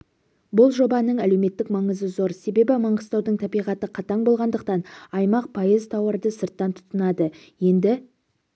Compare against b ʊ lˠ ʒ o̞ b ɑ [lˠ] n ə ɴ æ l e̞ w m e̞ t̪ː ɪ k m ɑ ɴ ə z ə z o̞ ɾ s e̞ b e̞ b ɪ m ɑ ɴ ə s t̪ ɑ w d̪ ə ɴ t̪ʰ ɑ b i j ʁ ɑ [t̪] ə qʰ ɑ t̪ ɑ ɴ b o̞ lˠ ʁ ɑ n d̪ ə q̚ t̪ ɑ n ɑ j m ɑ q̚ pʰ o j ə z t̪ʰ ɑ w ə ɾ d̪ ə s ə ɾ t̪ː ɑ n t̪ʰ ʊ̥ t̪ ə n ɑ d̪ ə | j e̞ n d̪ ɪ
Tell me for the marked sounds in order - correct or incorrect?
incorrect, correct

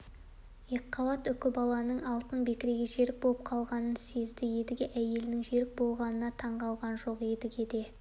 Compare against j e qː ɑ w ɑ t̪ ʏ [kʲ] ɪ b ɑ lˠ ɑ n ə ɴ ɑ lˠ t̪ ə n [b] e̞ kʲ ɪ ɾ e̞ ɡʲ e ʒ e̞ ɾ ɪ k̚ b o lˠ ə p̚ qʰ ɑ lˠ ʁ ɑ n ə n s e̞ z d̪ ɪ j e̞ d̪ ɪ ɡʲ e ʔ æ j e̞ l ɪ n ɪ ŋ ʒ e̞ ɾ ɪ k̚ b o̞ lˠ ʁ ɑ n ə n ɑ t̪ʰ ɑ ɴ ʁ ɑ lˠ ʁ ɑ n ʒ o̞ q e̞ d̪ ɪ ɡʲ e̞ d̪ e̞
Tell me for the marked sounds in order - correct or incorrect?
correct, correct

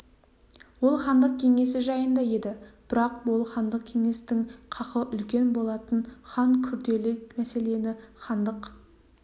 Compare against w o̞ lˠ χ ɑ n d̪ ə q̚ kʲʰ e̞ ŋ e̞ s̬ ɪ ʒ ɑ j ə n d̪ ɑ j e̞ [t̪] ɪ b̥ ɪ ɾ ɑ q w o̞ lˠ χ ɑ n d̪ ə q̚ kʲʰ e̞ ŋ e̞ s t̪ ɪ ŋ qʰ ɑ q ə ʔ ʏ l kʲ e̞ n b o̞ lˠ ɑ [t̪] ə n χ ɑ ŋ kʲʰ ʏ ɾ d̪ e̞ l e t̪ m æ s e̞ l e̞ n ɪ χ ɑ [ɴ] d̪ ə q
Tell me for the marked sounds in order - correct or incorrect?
incorrect, correct, incorrect

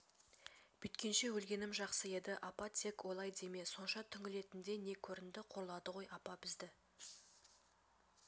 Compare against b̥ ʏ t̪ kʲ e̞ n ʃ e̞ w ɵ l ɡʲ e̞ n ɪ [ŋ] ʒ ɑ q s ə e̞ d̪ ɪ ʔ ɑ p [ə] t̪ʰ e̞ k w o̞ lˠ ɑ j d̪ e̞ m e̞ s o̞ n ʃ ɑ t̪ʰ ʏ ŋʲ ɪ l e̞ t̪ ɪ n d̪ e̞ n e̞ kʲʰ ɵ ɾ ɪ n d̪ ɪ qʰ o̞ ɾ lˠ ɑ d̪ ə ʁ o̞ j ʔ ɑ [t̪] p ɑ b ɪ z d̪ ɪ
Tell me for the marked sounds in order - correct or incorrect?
incorrect, incorrect, incorrect

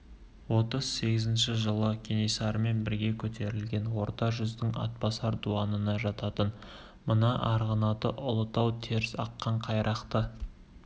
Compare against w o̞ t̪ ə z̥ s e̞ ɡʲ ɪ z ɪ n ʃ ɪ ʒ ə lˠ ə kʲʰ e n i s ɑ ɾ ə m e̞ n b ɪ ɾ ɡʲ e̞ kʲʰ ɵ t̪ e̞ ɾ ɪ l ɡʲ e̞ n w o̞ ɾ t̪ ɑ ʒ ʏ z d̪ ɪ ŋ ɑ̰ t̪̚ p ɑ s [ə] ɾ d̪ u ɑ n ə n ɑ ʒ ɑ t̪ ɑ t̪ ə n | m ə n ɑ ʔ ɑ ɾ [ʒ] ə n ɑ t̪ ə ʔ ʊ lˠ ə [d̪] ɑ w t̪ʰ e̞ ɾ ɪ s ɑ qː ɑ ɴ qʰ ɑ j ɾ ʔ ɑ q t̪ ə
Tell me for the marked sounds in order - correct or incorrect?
incorrect, incorrect, incorrect

